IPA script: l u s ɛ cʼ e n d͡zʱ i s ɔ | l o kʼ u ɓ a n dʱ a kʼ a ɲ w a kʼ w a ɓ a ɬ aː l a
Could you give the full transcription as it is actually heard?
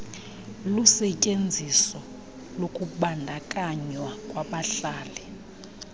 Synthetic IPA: l u s ɛ cʼ e n d͡zʱ i s ɔ | l o kʼ u ɓ a n dʱ a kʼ a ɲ w a kʼ w a ɓ a ɬ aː l ɛ